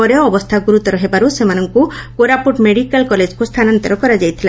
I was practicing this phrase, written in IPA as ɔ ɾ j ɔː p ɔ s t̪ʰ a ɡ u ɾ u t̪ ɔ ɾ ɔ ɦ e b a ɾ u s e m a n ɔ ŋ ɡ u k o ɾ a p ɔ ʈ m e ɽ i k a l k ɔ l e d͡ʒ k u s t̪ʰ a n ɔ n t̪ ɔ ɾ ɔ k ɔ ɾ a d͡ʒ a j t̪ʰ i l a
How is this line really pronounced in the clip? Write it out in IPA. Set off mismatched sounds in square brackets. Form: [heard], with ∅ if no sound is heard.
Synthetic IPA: ɔ ɾ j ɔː [b] ɔ s t̪ʰ a ɡ u ɾ u t̪ ɔ ɾ ɔ ɦ e b a ɾ u s e m a n ɔ ŋ [k] u k o ɾ a p [u] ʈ m e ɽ i k a l k ɔ l e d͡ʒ k u s t̪ʰ a n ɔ n t̪ ɔ ɾ ɔ k ɔ ɾ a d͡ʒ a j t̪ʰ i l a